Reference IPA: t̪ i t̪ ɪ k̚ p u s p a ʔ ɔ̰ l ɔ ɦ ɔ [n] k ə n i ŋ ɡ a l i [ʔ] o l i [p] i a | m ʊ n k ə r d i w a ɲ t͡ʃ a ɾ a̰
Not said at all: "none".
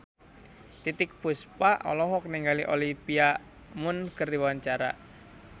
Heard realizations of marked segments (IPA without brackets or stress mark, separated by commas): none, ʔ, p